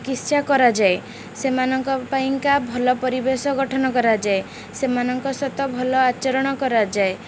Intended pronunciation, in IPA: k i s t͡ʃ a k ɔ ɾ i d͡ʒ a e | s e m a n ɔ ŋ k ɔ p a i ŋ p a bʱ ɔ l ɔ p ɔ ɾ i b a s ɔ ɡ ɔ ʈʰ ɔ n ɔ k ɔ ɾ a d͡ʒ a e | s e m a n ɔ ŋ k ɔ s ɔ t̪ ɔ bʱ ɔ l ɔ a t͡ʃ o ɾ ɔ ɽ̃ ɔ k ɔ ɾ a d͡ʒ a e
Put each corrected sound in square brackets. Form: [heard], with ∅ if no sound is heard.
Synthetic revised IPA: k i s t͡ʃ a k ɔ ɾ [a] d͡ʒ a e | s e m a n ɔ ŋ k ɔ p a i ŋ [k] a bʱ ɔ l ɔ p ɔ ɾ i b [e] s ɔ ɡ ɔ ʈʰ ɔ n ɔ k ɔ ɾ a d͡ʒ a e | s e m a n ɔ ŋ k ɔ s ɔ t̪ ɔ bʱ ɔ l ɔ a t͡ʃ [ɔ] ɾ ɔ ɽ̃ ɔ k ɔ ɾ a d͡ʒ a e